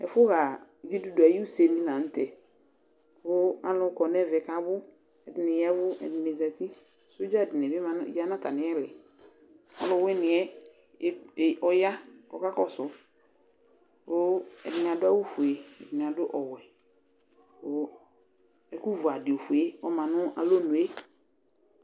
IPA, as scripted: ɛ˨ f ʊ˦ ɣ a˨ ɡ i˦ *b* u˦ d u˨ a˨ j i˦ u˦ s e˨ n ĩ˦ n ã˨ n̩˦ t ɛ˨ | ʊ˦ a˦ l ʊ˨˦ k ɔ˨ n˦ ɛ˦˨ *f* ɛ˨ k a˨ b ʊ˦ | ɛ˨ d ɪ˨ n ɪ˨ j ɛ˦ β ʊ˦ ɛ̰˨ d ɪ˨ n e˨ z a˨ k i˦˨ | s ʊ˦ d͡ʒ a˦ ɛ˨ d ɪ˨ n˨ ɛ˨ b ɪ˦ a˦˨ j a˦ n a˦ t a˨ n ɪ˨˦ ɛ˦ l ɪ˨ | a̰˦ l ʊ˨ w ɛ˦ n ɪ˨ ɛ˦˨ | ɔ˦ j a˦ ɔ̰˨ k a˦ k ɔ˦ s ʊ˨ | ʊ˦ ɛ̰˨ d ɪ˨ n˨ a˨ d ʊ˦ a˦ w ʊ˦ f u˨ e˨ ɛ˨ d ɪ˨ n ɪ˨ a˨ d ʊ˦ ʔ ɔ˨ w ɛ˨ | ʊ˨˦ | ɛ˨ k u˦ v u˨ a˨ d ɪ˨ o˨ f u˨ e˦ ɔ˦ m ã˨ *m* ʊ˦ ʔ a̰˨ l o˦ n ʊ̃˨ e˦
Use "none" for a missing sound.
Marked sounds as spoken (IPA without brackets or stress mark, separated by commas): d, v, n